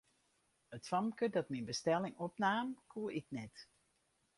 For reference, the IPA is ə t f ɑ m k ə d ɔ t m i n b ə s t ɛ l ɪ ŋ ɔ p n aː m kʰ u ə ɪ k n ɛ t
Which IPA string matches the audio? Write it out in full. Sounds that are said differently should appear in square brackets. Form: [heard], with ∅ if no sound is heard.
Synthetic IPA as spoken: ə t f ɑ m k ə d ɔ t m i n b ə s t ɛ l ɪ ŋ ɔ p n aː m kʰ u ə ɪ k n ɛ t